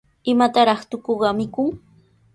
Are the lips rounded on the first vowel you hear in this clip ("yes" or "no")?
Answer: no